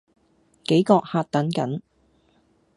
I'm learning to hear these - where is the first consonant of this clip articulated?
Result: velum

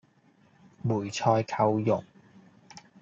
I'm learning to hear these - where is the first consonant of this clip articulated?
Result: lips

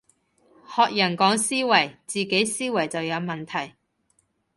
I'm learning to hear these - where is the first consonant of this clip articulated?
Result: throat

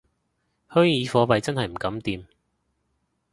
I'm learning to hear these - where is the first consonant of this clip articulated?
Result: throat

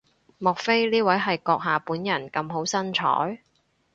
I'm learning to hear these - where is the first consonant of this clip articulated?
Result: lips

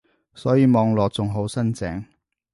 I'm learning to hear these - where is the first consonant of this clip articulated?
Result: tongue tip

